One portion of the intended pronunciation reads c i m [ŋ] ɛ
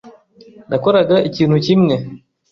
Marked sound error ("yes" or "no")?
yes